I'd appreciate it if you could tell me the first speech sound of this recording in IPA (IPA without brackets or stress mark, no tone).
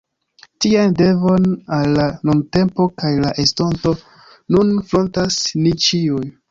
t